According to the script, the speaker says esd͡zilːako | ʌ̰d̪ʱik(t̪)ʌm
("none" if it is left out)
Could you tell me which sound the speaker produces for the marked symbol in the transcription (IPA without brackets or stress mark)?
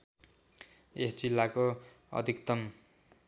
t̪